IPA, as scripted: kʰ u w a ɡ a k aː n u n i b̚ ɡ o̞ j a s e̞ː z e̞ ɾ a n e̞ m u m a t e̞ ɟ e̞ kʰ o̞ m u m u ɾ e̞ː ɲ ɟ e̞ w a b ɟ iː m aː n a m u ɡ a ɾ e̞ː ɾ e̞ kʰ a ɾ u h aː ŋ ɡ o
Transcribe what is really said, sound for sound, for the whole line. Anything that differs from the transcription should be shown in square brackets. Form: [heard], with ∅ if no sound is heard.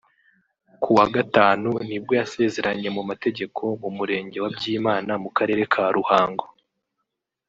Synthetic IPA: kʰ u w a ɡ a [t] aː n u n i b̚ ɡ o̞ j a s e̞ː z e̞ ɾ a [ɲ] e̞ m u m a t e̞ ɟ e̞ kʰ o̞ m u m u ɾ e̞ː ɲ ɟ e̞ w a b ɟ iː m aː n a m u [k] a ɾ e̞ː ɾ e̞ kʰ a ɾ u h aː ŋ ɡ o